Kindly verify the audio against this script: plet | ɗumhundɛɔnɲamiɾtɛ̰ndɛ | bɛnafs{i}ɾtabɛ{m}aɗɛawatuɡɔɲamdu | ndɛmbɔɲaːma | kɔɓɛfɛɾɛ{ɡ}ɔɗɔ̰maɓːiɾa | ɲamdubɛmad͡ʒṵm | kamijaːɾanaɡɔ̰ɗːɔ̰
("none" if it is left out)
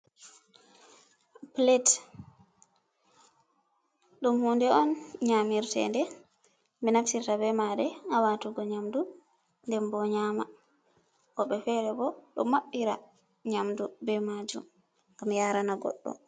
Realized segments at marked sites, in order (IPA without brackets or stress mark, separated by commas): i, m, b